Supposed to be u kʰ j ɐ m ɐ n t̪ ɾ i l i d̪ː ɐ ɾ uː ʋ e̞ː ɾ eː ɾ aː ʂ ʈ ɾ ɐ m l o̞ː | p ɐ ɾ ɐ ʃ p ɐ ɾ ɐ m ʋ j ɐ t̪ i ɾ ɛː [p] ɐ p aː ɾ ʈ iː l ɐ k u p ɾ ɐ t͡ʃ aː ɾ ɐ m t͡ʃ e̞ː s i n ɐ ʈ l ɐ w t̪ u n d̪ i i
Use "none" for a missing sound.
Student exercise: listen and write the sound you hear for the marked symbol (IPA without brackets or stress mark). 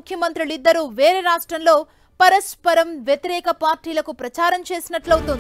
k